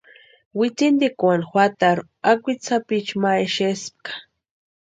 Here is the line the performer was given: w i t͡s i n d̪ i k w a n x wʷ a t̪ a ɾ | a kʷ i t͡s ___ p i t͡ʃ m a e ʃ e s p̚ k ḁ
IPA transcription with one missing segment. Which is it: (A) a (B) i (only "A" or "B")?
A